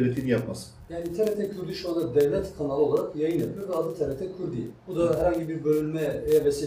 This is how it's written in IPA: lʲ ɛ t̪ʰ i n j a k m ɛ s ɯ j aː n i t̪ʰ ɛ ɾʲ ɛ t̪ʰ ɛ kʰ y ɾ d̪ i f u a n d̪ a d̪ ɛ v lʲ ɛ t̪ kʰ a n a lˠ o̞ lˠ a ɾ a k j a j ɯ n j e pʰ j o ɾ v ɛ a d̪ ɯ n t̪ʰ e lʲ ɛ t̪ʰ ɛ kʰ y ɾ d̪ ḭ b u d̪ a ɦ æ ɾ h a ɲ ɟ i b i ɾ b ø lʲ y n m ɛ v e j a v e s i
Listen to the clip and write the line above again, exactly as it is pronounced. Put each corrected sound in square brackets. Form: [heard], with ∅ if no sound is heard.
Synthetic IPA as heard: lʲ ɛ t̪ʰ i n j a [p] m [a] s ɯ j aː n i t̪ʰ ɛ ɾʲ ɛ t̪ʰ ɛ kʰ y ɾ d̪ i [ʃ] u a n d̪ a d̪ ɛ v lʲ ɛ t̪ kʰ a n a lˠ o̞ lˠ a ɾ a k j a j ɯ n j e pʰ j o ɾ v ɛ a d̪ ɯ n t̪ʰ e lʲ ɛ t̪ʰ ɛ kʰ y ɾ d̪ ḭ b u d̪ a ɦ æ ɾ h a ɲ ɟ i b i ɾ b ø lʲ y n m ɛ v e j a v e s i